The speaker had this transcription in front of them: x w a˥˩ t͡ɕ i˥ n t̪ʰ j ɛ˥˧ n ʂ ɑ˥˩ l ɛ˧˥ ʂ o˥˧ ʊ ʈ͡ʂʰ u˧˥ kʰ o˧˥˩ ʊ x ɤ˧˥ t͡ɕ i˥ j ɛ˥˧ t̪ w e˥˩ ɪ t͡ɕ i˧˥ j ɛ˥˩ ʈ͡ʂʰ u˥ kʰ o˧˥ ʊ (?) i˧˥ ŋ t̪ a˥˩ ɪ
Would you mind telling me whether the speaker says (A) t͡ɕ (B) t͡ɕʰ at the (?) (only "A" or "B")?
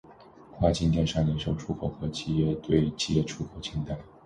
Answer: B